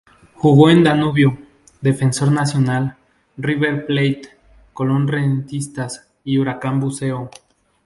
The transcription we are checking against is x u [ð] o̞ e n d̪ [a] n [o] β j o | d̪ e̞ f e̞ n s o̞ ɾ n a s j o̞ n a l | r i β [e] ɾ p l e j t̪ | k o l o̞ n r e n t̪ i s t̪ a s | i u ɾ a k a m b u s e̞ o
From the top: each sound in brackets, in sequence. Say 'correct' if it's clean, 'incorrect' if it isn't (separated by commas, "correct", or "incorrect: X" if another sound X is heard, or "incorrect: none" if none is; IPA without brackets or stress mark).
incorrect: ɣ, correct, incorrect: u, correct